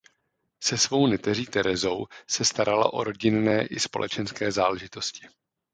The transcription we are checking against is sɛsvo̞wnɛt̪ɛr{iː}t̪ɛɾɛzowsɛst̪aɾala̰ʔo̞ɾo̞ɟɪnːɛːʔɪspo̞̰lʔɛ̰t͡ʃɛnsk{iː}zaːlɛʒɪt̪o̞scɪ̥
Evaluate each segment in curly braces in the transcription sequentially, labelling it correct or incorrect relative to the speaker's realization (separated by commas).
correct, incorrect